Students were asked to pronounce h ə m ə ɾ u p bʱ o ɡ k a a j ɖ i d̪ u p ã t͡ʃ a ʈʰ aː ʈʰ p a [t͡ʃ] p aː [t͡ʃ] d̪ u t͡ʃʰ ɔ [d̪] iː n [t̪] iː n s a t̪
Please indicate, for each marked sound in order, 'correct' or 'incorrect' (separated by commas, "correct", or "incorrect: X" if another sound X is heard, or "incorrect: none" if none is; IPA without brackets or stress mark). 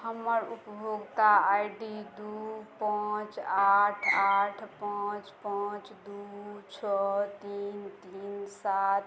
correct, correct, incorrect: t̪, correct